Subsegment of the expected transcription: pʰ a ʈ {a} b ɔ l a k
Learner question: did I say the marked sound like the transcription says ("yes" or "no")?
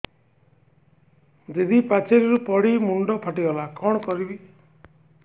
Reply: no